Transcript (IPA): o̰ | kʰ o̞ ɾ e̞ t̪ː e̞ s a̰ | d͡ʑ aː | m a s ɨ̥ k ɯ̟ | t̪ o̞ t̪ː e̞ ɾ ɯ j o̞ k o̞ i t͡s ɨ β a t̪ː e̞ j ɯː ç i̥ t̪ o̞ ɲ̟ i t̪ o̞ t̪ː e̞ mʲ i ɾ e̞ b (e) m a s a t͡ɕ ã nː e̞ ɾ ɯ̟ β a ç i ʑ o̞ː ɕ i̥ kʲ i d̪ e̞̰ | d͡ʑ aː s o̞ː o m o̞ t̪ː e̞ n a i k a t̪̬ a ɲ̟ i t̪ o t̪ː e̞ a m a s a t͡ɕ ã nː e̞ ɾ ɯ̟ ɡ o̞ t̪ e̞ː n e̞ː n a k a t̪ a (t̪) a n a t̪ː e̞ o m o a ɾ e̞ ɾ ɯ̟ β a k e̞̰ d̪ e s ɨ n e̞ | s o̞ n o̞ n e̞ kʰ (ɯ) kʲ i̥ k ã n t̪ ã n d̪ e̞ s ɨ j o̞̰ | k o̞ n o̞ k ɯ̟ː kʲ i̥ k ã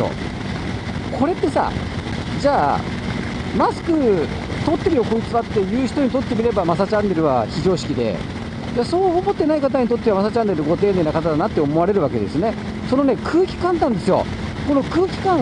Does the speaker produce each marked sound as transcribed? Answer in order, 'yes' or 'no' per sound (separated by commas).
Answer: no, no, no